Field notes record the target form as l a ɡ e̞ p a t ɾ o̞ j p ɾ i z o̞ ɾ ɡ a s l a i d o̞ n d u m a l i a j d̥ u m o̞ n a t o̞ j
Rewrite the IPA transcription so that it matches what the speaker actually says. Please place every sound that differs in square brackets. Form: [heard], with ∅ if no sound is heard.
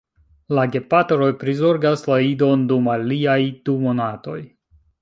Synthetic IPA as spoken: l a ɡ e̞ p a t ɾ o̞ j p ɾ i z o̞ ɾ ɡ a s l a i d o̞ n d u m a l i a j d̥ u m o̞ n a t o̞ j